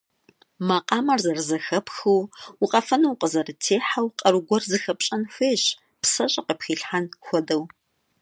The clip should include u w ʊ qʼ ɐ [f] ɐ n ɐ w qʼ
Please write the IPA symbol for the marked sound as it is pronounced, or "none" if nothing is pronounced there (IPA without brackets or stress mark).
f